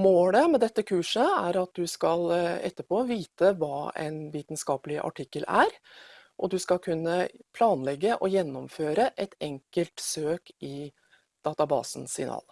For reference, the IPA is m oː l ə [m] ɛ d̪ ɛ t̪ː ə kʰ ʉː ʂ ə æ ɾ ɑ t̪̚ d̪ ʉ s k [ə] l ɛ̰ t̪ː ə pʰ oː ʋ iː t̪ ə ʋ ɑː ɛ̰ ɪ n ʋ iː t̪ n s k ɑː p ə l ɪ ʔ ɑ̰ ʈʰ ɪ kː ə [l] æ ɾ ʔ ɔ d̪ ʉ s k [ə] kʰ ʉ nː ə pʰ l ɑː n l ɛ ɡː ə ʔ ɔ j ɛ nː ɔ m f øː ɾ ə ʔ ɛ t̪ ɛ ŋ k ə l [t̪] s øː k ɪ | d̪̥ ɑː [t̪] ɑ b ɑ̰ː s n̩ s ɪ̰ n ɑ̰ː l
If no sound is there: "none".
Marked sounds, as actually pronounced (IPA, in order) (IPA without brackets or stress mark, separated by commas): m, ɑ, l, ɑ, t̪, t̪